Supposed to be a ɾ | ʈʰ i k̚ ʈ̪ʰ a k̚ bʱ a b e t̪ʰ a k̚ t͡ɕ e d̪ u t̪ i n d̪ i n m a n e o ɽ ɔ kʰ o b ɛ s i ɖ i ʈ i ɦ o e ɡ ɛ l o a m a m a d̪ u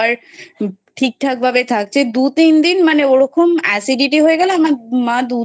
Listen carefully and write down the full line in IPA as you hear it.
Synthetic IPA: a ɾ | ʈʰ i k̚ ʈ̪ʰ a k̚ bʱ a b e t̪ʰ a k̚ t͡ɕʰ e d̪ u t̪ i n d̪ i n m a n e o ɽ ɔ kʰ o m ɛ s i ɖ i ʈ i ɦ o e ɡ ɛ l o a m a m a d̪ u

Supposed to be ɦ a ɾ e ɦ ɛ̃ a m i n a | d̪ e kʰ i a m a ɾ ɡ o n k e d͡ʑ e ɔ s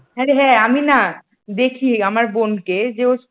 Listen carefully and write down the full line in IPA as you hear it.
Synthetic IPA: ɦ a ɾ e ɦ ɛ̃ a m i n a | d̪ e kʰ i a m a ɾ b o n k e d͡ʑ e o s

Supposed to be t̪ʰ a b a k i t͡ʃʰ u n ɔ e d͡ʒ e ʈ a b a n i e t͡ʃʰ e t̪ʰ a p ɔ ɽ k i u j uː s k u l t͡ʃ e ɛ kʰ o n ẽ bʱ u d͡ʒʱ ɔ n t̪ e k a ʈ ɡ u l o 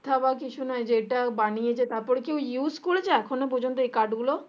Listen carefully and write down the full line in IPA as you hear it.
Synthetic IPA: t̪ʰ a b a k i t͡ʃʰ u n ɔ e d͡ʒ e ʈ a b a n i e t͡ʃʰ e t̪ a p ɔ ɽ k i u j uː s k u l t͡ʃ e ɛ kʰ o n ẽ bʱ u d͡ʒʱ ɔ n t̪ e k a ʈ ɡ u l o

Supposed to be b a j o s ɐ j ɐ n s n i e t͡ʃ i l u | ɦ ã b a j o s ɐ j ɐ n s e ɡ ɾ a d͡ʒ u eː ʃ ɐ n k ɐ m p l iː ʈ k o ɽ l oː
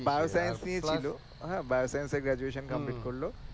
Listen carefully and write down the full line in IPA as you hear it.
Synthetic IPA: b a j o s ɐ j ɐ n s n i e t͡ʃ i l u | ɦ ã b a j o s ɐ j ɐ n s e ɡ ɾ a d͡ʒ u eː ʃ ɐ n k ɐ m p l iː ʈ k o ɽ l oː

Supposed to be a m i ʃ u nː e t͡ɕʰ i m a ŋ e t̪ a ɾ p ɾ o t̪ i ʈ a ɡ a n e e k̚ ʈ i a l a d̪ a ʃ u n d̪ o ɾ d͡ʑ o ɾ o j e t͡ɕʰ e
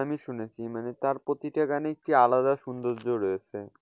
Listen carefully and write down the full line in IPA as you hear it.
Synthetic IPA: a m i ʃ u n e t͡ɕʰ i m a n e t̪ a ɾ p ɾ o t̪ i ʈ a ɡ a n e e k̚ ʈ i a l a d̪ a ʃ u n d̪ o ɾ d͡ʑ o ɾ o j e t͡ɕʰ e

